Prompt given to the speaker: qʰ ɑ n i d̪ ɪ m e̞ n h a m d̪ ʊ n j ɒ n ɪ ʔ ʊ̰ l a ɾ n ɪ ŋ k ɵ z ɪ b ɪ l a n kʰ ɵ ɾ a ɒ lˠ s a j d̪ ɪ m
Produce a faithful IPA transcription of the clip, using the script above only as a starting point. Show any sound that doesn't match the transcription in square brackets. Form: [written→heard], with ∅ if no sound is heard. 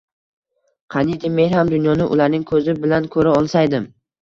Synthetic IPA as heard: qʰ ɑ n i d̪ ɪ m e̞ n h a m d̪ ʊ n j ɒ n ɪ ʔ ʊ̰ l a ɾ n ɪ ŋ [k→kʰ] ɵ z ɪ b ɪ l a n kʰ ɵ ɾ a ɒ lˠ s a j d̪ ɪ m

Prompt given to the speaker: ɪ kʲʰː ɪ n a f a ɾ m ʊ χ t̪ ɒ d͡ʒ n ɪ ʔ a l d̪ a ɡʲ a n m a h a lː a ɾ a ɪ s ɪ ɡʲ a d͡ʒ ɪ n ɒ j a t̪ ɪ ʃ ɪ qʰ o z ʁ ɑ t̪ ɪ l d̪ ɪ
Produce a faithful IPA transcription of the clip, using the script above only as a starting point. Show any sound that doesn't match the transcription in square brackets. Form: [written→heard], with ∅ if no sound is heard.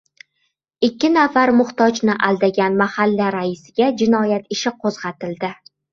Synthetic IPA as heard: ɪ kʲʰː ɪ n a f a ɾ m ʊ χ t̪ ɒ d͡ʒ n ɪ ʔ a l d̪ a ɡʲ a n m a h a lː a ɾ a ɪ s ɪ ɡʲ a d͡ʒ ɪ n ɒ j a t̪ ɪ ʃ ɪ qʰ o z ʁ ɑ t̪ ɪ l d̪ ɪ

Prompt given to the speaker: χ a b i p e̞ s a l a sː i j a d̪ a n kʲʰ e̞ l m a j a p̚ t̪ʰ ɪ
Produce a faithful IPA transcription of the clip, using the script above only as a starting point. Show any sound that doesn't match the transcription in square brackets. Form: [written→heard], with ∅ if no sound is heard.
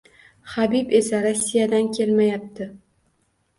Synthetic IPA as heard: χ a b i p e̞ s a [l→ɾ] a sː i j a d̪ a n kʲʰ e̞ l m a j a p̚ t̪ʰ ɪ

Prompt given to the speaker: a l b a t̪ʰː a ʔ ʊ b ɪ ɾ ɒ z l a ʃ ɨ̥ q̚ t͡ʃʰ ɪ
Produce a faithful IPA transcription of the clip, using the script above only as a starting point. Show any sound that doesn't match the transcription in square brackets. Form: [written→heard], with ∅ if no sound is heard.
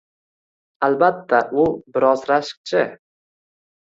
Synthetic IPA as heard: a l b a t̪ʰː a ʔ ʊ b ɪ ɾ ɒ z [l→ɾ] a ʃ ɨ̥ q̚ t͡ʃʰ ɪ

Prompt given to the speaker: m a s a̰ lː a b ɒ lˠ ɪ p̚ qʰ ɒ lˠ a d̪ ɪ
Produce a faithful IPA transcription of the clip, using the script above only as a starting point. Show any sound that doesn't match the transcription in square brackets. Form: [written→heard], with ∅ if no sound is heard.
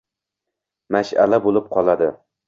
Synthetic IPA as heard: m a [s→ʃ] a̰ [lː→l] a b [ɒ→o] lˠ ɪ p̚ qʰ ɒ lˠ a d̪ ɪ

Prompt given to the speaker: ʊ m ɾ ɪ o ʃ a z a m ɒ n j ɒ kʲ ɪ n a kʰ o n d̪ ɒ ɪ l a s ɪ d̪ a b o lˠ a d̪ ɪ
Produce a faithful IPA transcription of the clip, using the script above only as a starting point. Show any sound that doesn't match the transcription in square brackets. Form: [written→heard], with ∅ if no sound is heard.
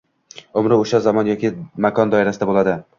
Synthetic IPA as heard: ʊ m ɾ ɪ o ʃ a z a m ɒ n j ɒ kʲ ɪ [n→m] a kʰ [o→ɒ] n d̪ ɒ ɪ [l→ɾ] a s ɪ d̪ a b o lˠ a d̪ ɪ

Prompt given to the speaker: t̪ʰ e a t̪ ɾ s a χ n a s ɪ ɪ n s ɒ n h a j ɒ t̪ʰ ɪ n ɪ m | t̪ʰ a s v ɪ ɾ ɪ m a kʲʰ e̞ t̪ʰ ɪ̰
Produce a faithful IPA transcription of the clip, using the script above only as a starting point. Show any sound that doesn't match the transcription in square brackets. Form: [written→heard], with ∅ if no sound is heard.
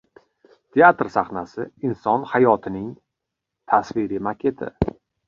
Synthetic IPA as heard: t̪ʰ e a t̪ ɾ s a χ n a s ɪ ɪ n s ɒ n h a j ɒ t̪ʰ ɪ n ɪ [m→ŋ] | t̪ʰ a s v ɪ ɾ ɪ m a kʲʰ e̞ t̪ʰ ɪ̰

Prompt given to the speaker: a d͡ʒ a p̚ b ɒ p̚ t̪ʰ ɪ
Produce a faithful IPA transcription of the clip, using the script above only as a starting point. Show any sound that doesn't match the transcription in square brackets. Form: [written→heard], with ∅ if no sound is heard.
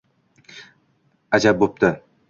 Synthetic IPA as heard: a d͡ʒ a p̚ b [ɒ→o] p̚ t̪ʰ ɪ

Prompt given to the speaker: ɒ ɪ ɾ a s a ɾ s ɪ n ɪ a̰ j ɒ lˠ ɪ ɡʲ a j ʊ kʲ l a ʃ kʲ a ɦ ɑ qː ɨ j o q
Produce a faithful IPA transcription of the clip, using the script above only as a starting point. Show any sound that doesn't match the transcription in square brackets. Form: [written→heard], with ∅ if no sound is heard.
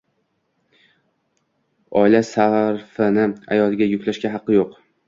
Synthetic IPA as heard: ɒ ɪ [ɾ→l] a s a ɾ [s→f] ɪ n ɪ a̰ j ɒ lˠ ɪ ɡʲ a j ʊ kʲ l a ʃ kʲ a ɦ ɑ qː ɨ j o q

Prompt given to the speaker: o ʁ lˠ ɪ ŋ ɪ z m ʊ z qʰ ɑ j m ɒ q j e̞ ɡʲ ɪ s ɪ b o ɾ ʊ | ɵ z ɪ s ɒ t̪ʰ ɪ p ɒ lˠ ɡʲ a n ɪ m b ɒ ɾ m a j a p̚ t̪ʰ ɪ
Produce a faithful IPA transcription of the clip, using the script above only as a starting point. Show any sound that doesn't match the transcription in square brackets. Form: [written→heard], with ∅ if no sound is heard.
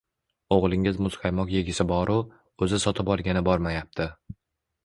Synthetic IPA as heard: o ʁ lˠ ɪ ŋ ɪ z m ʊ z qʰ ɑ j m ɒ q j e̞ ɡʲ ɪ s ɪ b [o→ɒ] ɾ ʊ | ɵ z ɪ s ɒ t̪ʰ ɪ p ɒ lˠ ɡʲ a n ɪ [m→∅] b ɒ ɾ m a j a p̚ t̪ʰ ɪ

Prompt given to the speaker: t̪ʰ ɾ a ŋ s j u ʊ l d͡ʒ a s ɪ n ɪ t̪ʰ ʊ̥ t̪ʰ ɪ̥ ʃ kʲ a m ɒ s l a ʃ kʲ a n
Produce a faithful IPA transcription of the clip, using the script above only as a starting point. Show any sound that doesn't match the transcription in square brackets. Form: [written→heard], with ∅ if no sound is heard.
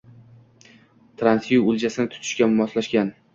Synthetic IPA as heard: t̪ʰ ɾ a [ŋ→n] s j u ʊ l d͡ʒ a s ɪ n ɪ t̪ʰ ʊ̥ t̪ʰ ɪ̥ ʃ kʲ a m ɒ s l a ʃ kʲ a n

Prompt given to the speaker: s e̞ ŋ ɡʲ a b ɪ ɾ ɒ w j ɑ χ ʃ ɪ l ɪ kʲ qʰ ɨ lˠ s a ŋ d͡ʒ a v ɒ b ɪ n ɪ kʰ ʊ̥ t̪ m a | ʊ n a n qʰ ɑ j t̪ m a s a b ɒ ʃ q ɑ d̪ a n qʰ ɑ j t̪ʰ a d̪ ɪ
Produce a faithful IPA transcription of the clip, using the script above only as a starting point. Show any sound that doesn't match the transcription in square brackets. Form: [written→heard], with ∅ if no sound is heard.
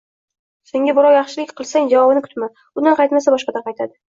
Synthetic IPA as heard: s e̞ ŋ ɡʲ a b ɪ ɾ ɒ w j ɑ χ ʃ ɪ l ɪ kʲ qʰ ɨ lˠ s a ŋ d͡ʒ a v ɒ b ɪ n ɪ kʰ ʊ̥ t̪ m a | ʊ n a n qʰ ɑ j t̪ m a s a b ɒ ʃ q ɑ d̪ a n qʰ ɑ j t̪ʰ a d̪ ɪ

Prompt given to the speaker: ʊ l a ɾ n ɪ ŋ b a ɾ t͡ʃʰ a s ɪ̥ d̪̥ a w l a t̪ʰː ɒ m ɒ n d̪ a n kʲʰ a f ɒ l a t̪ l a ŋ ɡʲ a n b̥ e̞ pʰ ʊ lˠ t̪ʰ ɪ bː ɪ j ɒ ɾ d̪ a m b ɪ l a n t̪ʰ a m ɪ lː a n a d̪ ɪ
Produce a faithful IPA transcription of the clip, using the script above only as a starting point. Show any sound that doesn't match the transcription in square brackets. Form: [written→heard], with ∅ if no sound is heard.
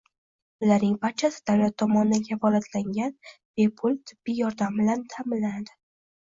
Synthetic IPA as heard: ʊ l a ɾ n ɪ ŋ b a ɾ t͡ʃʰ a s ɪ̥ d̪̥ a w l a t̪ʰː ɒ m ɒ n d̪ a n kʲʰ a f ɒ l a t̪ l a ŋ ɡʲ a n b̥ e̞ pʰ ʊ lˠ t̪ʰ ɪ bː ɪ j ɒ ɾ d̪ a m b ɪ l a n t̪ʰ a m ɪ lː a n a d̪ ɪ

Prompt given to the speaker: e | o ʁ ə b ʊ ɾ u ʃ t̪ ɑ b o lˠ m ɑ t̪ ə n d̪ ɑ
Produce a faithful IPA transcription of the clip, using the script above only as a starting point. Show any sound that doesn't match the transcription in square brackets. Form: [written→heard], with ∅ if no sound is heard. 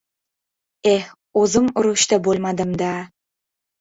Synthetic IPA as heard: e | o [ʁ→z] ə [b→m] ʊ ɾ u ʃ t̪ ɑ b o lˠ m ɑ [t̪→d̪] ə [n→m] d̪ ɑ

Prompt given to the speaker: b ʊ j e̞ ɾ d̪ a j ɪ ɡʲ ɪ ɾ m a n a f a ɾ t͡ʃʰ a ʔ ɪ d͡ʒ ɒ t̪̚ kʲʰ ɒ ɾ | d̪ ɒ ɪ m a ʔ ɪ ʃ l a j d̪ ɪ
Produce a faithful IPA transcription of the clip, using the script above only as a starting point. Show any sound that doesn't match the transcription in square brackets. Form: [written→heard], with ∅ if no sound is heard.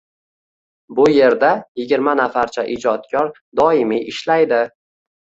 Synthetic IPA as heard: b ʊ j e̞ ɾ d̪ a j ɪ ɡʲ ɪ ɾ m a n a f a ɾ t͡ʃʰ a ʔ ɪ d͡ʒ ɒ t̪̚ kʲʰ ɒ ɾ | d̪ ɒ ɪ m [a→i] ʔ ɪ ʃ l a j d̪ ɪ

